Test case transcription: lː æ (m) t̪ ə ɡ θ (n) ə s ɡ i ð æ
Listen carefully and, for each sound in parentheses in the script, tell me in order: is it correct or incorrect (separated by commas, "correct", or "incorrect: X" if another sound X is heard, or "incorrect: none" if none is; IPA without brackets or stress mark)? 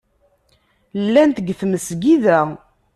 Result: incorrect: n, incorrect: m